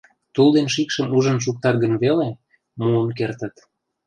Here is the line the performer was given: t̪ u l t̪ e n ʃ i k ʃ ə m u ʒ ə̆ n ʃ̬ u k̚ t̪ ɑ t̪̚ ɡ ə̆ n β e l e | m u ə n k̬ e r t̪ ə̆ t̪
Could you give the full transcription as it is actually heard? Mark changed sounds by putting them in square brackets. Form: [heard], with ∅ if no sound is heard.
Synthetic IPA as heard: t̪ u l [d̪] e n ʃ i k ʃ ə m u ʒ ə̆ n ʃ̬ u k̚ t̪ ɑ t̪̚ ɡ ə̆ n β e l e | m u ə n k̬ e r t̪ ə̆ t̪